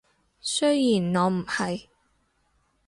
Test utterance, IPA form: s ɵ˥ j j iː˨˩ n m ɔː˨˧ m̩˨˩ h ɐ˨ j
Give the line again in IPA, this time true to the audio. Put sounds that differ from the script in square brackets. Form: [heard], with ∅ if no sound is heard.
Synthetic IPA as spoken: s ɵ˥ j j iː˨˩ n [ŋ] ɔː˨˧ m̩˨˩ h ɐ˨ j